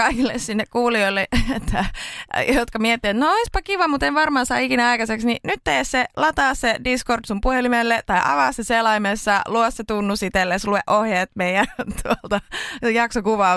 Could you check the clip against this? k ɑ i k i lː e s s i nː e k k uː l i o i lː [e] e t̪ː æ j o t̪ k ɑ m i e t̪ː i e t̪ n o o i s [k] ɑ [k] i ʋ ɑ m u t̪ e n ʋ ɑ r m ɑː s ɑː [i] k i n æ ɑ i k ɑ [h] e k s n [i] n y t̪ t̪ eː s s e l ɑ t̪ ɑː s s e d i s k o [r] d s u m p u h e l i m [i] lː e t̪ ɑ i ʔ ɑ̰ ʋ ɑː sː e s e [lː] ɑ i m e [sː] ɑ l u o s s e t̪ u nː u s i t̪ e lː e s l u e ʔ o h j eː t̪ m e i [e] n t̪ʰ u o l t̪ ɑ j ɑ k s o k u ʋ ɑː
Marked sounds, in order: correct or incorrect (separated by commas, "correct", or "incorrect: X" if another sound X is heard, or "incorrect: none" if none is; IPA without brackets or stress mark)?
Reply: correct, incorrect: p, correct, correct, incorrect: s, correct, correct, incorrect: e, incorrect: l, correct, incorrect: æ